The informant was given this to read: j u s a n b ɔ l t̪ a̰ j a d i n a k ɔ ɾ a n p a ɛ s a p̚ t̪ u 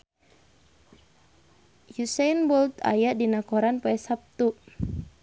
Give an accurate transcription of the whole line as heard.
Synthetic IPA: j u s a n b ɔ l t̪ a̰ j a d i n a k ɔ ɾ a n p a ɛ s a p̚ t̪ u

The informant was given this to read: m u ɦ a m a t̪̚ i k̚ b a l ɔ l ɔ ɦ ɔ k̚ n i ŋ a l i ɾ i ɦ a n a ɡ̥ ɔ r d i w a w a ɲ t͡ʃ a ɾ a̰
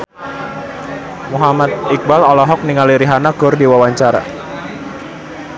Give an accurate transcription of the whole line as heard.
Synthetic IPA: m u ɦ a m a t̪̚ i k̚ b a l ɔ l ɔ ɦ ɔ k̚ n i ŋ a l i ɾ i ɦ a n a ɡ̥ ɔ r d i w a w a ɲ t͡ʃ a ɾ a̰

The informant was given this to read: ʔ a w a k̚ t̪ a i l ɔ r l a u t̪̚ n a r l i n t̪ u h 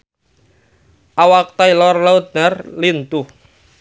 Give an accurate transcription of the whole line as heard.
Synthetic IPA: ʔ a w a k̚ t̪ a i l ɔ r l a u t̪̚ n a r l i n t̪ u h

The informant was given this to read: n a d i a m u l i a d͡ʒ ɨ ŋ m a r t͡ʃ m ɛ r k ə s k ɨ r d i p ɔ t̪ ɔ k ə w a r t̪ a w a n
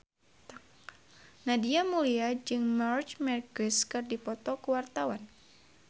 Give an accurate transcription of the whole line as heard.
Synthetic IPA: n a d i a m u l i a d͡ʒ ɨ ŋ m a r t͡ʃ m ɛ r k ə s k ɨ r d i p ɔ t̪ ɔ k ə w a r t̪ a w a n

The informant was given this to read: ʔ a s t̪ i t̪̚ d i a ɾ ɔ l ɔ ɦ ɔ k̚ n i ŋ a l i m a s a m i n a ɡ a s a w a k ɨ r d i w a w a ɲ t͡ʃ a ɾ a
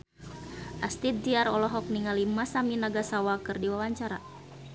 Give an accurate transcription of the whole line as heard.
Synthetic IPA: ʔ a s t̪ i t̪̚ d i a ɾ ɔ l ɔ ɦ ɔ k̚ n i ŋ a l i m a s a m i n a ɡ a s a w a k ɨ r d i w a w a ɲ t͡ʃ a ɾ a

